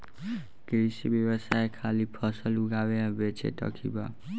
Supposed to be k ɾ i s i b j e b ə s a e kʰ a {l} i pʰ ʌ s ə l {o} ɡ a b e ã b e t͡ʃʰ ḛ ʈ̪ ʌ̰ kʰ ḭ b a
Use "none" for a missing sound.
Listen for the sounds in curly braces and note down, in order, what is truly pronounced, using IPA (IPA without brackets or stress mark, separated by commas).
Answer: l, u